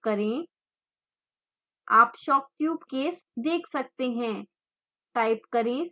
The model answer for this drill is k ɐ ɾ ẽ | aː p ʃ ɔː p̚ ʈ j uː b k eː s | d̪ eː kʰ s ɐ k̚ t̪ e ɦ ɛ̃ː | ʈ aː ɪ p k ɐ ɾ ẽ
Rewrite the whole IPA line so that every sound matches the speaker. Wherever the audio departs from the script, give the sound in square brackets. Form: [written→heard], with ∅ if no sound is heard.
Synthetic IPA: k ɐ ɾ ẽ | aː p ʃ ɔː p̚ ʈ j uː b k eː s | d̪ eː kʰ s ɐ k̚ t̪ e ɦ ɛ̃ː | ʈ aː ɪ p k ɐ ɾ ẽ